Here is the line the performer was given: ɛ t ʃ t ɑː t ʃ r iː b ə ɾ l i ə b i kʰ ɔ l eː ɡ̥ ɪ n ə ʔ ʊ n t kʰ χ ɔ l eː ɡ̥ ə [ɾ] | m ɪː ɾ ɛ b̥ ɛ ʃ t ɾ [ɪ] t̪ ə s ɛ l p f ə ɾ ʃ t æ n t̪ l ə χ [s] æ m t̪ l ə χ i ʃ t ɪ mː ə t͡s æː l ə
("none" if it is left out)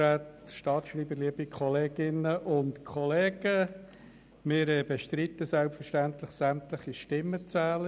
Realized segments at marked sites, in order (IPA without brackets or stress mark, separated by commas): none, i, s